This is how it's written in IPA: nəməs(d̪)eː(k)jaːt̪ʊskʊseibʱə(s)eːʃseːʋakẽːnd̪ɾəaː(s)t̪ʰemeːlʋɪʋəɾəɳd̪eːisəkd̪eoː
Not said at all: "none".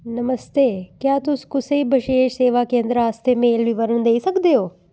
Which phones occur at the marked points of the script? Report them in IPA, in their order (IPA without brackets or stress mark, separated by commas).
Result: t̪, k, ʃ, s